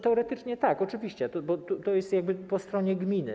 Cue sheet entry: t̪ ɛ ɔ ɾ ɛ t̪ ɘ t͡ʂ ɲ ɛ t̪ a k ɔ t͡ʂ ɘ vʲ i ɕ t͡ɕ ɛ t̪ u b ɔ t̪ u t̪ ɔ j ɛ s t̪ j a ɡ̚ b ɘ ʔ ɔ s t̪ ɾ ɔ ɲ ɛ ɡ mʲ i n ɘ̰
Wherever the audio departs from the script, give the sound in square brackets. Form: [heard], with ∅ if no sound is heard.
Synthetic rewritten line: t̪ ɛ ɔ ɾ ɛ t̪ ɘ t͡ʂ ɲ ɛ t̪ a k ɔ t͡ʂ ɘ vʲ i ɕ t͡ɕ ɛ t̪ [ɔ] b ɔ t̪ u t̪ ɔ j ɛ s t̪ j a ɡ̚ b ɘ [p] ɔ s t̪ ɾ ɔ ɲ ɛ ɡ mʲ i n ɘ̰